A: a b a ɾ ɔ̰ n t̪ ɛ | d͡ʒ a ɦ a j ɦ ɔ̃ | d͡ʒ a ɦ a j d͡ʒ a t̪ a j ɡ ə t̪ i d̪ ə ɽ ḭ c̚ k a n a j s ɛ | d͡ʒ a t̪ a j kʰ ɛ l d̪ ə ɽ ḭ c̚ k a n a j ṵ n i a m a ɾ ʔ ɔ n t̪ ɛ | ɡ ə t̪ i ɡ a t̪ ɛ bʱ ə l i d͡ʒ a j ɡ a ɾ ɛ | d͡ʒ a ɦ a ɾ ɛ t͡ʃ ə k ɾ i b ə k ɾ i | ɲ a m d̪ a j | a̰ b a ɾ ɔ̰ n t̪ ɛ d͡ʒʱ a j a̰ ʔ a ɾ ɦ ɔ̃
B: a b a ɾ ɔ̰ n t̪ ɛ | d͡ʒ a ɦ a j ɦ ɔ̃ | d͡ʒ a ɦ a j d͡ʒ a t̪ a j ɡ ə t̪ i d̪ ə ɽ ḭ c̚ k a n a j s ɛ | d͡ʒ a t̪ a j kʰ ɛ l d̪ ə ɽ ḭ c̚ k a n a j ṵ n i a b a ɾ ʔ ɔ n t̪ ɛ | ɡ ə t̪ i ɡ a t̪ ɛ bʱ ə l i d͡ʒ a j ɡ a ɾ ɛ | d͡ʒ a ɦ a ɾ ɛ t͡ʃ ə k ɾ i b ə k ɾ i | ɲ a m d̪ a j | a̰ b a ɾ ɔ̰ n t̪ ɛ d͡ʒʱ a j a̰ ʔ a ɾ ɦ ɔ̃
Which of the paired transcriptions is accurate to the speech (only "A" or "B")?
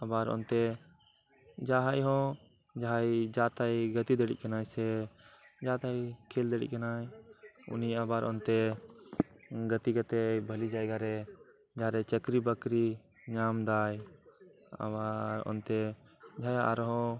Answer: B